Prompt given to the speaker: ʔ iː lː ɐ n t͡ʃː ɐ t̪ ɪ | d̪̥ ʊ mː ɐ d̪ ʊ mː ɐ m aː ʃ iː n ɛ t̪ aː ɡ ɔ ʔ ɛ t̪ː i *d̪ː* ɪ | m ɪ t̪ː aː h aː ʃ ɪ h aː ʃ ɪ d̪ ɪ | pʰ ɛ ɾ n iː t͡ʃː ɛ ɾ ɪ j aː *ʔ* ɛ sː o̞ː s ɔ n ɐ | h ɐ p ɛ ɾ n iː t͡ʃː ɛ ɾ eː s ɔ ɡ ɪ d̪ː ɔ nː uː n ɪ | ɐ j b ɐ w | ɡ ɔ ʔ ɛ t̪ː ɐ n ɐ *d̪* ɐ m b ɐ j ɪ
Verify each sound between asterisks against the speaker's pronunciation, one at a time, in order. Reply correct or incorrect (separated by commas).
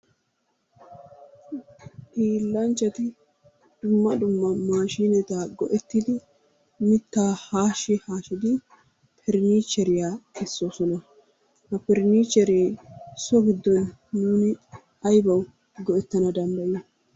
incorrect, incorrect, correct